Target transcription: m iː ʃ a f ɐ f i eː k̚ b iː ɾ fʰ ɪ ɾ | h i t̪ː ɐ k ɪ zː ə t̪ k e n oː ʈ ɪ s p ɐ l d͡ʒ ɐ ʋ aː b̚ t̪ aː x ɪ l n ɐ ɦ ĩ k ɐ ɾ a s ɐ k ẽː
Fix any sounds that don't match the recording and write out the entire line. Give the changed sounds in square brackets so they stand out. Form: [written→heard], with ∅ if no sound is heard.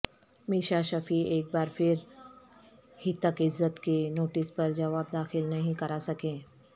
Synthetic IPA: m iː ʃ a [f→ʃ] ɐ f i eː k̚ b [iː→aː] ɾ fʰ ɪ ɾ | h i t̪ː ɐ k ɪ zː ə t̪ k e n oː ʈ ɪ s p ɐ [l→ɾ] d͡ʒ ɐ ʋ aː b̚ [t̪→d̪] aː x ɪ l n ɐ ɦ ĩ k ɐ ɾ a s ɐ k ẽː

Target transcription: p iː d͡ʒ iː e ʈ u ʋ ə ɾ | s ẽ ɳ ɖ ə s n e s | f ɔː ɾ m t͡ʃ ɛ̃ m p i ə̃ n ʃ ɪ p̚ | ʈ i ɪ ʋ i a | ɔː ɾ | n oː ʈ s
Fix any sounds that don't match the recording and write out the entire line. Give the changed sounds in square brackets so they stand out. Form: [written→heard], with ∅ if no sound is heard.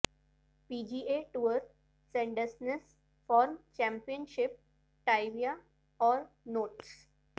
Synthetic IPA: p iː d͡ʒ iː e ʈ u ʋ ə ɾ | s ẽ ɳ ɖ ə s n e s | f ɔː ɾ m t͡ʃ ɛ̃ m p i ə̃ n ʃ ɪ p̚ | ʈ [i→a] ɪ ʋ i a | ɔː ɾ | n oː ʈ s

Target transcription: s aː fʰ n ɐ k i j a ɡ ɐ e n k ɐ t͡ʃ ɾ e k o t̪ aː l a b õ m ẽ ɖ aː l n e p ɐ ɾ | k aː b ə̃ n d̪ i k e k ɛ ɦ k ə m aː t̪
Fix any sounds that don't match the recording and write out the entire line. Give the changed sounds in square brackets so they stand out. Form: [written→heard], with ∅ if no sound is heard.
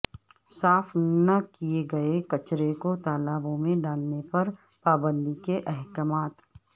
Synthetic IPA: s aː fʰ n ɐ k i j [a→e] ɡ ɐ e [n→∅] k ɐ t͡ʃ ɾ e k o t̪ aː l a b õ m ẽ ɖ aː l n e p ɐ ɾ | [k→p] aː b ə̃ n d̪ i k e [k→ʔ] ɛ ɦ k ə m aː t̪

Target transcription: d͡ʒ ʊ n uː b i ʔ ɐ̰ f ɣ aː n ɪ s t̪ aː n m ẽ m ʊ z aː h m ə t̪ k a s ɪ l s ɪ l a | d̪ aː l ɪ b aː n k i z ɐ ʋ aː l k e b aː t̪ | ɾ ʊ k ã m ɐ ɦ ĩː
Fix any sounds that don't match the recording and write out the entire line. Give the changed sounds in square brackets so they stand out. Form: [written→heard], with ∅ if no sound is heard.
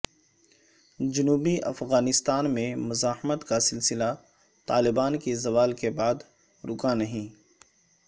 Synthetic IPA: d͡ʒ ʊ n uː b i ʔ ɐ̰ f ɣ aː n ɪ s t̪ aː n m ẽ m ʊ z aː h m ə t̪ k a s ɪ l s ɪ l a | [d̪→t̪] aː l ɪ b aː n k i z ɐ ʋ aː l k e b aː [t̪→d̪] | ɾ ʊ k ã [m→n] ɐ ɦ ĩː

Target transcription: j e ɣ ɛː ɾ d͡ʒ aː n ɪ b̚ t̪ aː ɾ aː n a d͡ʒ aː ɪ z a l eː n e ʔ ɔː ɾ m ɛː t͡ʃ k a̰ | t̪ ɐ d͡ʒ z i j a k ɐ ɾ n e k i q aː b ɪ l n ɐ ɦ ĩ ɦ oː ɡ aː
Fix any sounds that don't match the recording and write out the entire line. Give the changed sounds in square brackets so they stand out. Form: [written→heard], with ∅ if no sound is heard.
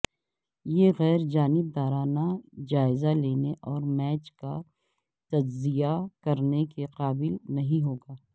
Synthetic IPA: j e ɣ ɛː ɾ d͡ʒ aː n ɪ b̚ [t̪→d̪] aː ɾ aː n a d͡ʒ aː ɪ z a l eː n e ʔ ɔː ɾ m ɛː t͡ʃ k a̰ | t̪ ɐ d͡ʒ z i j a k ɐ ɾ n e k [i→e] q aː b ɪ l n ɐ ɦ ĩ ɦ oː ɡ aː

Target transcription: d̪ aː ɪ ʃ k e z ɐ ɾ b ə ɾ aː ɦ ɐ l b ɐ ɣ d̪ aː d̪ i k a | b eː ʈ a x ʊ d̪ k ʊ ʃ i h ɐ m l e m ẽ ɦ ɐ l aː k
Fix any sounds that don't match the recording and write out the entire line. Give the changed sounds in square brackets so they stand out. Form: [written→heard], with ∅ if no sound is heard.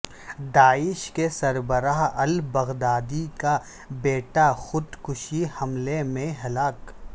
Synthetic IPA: d̪ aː ɪ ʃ k e [z→s] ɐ ɾ b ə ɾ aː ɦ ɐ l b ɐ ɣ d̪ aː d̪ i k a | b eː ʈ a x ʊ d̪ k ʊ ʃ i h ɐ m l e m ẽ ɦ ɐ l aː k

